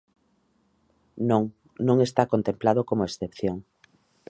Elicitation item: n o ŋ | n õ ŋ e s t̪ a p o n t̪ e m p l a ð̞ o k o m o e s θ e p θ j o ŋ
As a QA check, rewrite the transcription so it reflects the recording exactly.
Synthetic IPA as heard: n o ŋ | n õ ŋ e s t̪ a k o n t̪ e m p l a ð̞ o k o m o e s θ e p θ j o ŋ